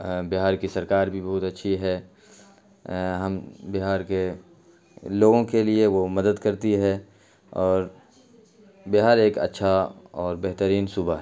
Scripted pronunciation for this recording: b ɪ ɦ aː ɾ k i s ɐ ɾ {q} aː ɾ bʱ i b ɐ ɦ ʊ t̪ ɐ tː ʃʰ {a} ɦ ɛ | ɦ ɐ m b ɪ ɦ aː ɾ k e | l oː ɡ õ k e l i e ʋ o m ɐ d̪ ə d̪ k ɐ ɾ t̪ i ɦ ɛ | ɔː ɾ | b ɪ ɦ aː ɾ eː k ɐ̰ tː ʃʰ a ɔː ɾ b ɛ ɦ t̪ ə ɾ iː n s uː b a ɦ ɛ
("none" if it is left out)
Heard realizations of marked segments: k, i

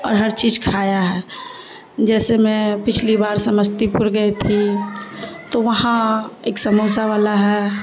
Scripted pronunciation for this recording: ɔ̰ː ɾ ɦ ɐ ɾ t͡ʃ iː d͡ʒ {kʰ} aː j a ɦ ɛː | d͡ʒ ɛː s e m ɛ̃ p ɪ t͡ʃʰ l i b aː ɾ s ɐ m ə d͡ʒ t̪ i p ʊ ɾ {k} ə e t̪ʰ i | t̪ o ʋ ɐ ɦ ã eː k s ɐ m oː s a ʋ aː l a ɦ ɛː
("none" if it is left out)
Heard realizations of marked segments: kʰ, ɡ

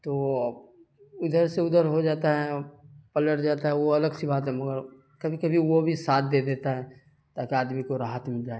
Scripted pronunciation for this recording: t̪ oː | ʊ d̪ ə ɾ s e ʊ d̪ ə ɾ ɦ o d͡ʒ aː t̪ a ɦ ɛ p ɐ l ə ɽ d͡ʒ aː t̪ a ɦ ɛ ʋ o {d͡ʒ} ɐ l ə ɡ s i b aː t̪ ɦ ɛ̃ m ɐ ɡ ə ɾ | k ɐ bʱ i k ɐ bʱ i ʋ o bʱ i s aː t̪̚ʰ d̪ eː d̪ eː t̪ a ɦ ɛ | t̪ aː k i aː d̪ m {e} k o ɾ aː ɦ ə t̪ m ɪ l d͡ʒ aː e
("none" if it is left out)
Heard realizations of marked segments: none, i

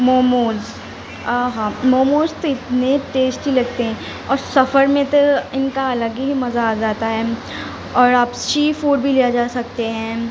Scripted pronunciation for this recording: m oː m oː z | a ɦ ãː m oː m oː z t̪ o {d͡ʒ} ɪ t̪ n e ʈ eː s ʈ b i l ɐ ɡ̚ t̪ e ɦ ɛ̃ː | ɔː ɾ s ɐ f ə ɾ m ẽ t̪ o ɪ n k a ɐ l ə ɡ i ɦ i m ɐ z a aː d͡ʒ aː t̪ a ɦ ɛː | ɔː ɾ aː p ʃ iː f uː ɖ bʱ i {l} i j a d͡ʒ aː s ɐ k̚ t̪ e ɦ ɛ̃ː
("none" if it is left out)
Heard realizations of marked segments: none, l

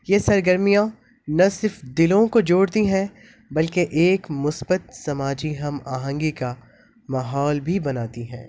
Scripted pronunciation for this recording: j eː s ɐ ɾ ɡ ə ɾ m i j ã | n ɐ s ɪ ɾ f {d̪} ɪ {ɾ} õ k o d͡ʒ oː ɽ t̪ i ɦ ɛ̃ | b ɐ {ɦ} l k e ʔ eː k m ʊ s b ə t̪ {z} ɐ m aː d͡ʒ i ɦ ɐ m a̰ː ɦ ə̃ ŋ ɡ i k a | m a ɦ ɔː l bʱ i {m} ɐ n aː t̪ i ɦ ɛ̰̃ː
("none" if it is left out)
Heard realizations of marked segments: d̪, l, none, s, b

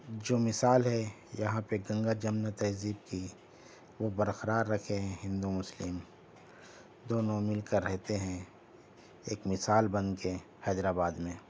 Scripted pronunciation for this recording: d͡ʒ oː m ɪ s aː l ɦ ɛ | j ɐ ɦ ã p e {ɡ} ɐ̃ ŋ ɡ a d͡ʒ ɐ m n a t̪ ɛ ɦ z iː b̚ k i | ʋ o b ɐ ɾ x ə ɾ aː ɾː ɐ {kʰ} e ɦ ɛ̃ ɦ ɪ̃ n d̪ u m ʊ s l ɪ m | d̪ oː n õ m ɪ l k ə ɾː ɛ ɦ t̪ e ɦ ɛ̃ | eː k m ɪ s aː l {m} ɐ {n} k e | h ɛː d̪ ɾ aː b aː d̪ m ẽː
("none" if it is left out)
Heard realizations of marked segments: ɡ, kʰ, b, n

